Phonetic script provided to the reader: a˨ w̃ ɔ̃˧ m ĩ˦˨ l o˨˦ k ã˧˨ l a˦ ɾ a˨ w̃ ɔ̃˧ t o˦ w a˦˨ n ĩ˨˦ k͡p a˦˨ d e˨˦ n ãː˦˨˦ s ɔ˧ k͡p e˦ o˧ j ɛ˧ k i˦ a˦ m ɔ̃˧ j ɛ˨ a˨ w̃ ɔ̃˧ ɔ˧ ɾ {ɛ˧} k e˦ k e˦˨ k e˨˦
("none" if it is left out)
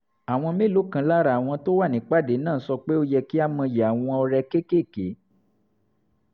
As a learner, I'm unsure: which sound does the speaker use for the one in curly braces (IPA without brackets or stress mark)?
ɛ˧